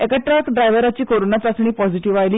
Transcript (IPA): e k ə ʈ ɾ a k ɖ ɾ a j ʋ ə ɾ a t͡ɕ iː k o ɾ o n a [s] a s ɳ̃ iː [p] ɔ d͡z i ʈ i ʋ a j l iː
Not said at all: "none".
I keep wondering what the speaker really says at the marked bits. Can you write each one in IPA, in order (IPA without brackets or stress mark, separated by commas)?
t͡s, p